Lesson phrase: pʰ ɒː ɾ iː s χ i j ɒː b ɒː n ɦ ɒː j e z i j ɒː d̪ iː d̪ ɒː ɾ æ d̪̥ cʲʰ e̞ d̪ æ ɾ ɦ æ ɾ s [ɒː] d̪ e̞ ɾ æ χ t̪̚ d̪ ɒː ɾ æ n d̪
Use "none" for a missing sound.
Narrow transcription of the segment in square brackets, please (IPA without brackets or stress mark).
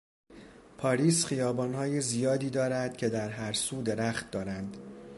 uː